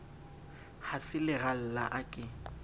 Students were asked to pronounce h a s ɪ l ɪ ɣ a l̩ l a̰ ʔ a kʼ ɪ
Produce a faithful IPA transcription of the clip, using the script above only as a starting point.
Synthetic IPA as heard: h a s ɪ l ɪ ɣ a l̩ l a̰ ʔ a kʼ ɪ